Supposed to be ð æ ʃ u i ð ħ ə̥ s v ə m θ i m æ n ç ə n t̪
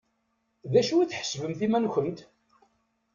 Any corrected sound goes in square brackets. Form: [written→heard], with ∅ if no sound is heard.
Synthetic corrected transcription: ð æ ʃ u i [ð→θ] ħ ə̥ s v ə m θ i m æ n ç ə n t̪